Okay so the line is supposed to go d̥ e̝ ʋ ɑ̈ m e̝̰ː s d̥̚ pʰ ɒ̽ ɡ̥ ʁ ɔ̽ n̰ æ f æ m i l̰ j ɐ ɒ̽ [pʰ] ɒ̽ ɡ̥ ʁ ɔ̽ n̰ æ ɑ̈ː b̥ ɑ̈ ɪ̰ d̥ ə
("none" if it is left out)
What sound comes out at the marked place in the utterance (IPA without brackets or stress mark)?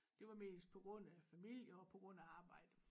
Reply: pʰ